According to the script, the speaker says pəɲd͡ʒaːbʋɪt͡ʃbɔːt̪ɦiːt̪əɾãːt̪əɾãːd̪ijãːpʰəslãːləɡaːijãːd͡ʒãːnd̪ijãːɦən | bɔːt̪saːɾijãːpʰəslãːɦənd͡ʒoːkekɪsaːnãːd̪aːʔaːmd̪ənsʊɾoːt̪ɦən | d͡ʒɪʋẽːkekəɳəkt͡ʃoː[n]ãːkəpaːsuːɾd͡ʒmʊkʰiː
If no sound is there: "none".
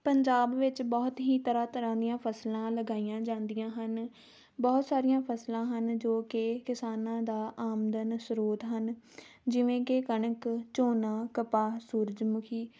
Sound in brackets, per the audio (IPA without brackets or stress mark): n